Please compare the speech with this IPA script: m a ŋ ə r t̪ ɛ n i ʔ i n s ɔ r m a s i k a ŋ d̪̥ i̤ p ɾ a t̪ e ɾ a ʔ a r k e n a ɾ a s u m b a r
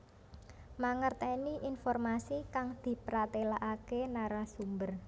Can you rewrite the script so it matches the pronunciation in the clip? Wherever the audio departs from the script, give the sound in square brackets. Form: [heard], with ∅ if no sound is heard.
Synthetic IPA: m a ŋ ə r t̪ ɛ n i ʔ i n [f] ɔ r m a s i k a ŋ d̪̥ i̤ p ɾ a t̪ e [l] a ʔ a [∅] k e n a ɾ a s u m b [ə] r